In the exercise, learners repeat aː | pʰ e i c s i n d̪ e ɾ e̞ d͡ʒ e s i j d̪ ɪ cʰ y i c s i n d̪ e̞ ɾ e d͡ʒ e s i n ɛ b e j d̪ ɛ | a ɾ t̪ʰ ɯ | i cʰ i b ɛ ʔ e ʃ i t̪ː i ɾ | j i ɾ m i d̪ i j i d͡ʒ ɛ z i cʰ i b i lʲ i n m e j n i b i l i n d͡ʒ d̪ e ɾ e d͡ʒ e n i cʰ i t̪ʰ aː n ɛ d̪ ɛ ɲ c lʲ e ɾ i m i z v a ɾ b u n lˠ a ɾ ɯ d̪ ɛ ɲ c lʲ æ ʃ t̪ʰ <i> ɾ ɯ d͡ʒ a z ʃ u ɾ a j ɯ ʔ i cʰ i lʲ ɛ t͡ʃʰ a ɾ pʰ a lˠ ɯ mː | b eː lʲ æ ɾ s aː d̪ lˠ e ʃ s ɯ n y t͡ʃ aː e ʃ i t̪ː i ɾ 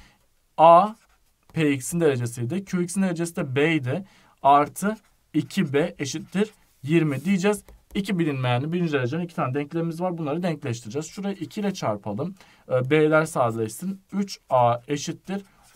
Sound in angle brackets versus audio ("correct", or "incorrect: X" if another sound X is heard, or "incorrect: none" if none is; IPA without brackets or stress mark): correct